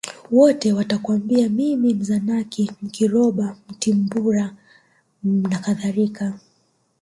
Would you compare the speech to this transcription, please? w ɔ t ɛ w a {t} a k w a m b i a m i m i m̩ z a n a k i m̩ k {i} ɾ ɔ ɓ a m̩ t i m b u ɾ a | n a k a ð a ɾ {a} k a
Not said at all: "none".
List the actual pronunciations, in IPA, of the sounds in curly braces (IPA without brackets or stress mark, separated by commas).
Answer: t, i, i